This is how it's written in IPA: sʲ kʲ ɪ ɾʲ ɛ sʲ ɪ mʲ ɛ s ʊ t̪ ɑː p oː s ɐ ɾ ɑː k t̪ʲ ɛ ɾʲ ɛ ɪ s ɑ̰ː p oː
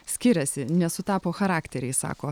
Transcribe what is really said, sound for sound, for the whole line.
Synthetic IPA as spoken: sʲ kʲ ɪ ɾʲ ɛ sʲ ɪ nʲ ɛ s ʊ t̪ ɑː p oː x ɐ ɾ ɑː k t̪ʲ ɛ ɾʲ ɛ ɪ s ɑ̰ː k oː

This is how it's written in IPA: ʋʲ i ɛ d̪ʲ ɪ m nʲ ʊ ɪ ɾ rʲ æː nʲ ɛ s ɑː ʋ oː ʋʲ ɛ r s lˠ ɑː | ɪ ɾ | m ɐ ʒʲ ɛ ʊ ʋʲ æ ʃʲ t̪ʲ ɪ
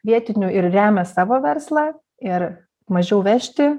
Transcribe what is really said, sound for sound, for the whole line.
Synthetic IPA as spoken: ʋʲ i ɛ t̪ʲ ɪ nʲ ʊ ɪ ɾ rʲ æː mʲ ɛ s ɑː ʋ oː ʋʲ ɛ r s lˠ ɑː | ɪ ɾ | m ɐ ʒʲ ɛ ʊ ʋʲ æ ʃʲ t̪ʲ ɪ

